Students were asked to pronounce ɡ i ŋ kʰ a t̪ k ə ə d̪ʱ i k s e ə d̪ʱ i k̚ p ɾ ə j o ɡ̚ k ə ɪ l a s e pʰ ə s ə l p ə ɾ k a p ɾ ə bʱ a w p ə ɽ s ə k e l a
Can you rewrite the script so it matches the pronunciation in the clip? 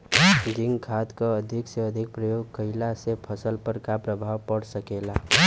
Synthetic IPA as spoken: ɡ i ŋ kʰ a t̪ k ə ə d̪ʱ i k s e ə d̪ʱ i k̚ p ɾ ə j o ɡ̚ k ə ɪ l a s e pʰ ə s ə l p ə ɾ k a p ɾ ə bʱ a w p ə ɽ s ə k e l a